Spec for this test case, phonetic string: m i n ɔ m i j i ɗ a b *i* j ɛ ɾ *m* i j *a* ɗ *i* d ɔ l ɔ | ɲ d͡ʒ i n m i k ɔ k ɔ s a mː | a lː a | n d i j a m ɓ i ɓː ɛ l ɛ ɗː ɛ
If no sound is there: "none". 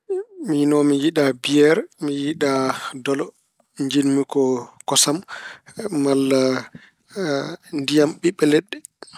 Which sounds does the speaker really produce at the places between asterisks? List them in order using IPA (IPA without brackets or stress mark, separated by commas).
i, m, i, a